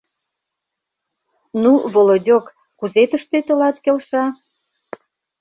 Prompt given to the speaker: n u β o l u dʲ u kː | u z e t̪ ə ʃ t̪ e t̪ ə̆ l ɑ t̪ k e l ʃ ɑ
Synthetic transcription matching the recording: n u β o l o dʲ o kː | u z e t̪ ə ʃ t̪ e t̪ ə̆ l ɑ t̪ k e l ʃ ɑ

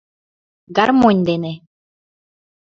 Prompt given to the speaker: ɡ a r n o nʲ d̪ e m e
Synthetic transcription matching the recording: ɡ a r m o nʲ d̪ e n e

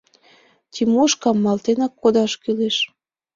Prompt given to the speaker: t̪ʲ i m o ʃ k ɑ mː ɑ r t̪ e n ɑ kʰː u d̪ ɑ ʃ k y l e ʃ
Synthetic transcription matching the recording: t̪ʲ i m o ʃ k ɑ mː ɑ l t̪ e n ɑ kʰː o d̪ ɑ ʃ k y l e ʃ

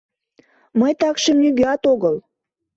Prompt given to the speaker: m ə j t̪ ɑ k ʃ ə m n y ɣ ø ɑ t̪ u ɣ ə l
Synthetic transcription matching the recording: m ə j t̪ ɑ k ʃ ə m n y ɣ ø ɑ t̪ o ɣ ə l

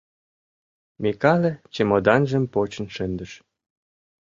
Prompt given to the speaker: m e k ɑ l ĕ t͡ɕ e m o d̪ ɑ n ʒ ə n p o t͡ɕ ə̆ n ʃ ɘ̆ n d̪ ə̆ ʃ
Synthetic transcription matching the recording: m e k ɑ l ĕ t͡ɕ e m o d̪ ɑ n ʒ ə m p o t͡ɕ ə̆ n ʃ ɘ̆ n d̪ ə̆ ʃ

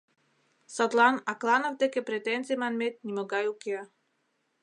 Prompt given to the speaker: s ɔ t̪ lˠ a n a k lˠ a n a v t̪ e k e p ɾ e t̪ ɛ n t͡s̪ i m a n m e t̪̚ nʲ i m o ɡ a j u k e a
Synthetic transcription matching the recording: s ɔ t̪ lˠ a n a k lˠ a n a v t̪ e k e p ɾ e t̪ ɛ n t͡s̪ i m a n m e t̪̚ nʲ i m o ɡ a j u k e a

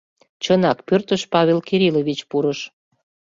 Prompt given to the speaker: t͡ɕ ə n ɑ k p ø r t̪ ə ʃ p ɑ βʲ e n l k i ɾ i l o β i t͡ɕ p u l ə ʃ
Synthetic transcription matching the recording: t͡ɕ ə n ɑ k p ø r t̪ ə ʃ p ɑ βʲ e l k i ɾ i l o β i t͡ɕ p u ɾ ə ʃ

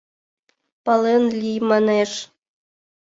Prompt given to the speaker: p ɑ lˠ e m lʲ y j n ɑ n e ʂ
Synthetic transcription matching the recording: p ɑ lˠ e n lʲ i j m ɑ n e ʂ

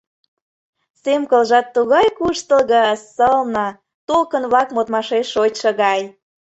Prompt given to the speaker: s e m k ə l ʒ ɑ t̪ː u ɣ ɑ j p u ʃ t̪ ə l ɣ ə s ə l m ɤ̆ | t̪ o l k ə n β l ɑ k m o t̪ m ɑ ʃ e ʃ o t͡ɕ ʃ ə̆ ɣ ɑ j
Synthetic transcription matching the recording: s e m k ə l ʒ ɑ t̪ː u ɣ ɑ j k u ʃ t̪ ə l ɣ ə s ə l n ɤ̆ | t̪ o l k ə n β l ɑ k m o t̪ m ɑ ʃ e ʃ o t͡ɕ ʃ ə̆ ɣ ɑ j

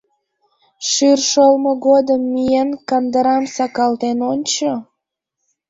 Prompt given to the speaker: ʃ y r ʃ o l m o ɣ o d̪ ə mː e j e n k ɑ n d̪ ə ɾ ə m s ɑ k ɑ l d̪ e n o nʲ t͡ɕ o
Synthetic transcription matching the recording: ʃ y r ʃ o l m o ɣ o d̪ ə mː i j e n k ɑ n d̪ ə ɾ ɑ m s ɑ k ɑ l t̪ e n o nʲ t͡ɕ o

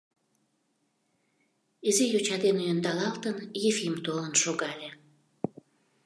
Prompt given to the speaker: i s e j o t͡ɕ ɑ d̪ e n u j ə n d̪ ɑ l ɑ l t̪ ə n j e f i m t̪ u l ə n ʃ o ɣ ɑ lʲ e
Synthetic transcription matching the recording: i z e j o t͡ɕ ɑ d̪ e n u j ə n d̪ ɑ l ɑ l t̪ ə n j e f i m t̪ o l ə n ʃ o ɣ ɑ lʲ e

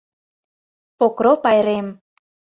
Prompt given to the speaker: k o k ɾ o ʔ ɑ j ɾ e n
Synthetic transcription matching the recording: p o k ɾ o p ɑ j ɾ e m

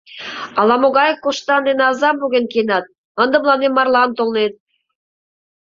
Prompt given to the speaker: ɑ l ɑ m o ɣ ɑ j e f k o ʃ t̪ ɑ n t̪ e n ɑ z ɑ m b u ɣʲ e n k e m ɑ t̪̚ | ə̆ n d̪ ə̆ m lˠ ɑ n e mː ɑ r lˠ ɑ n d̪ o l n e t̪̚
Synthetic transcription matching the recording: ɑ l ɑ m o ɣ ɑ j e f k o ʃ t̪ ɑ n d̪ e n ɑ z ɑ m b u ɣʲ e n k e n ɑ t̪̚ | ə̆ n d̪ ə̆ m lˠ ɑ n e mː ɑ r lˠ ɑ n t̪ o l n e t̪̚

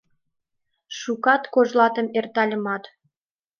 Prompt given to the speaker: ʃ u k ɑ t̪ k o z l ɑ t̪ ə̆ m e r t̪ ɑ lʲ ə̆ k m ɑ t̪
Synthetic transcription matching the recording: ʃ u k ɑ t̪ k o ʒ l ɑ t̪ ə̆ m e r t̪ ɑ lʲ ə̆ m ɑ t̪

